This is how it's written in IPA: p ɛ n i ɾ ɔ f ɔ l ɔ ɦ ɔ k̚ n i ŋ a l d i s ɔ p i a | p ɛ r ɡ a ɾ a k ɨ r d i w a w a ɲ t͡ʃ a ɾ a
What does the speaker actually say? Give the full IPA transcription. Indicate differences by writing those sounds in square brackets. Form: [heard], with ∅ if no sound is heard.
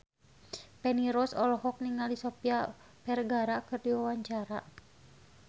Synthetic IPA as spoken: p ɛ n i ɾ ɔ [s] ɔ l ɔ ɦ ɔ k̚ n i ŋ a l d i s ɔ p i a | p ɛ r ɡ a ɾ a k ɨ r d i w a w a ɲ t͡ʃ a ɾ a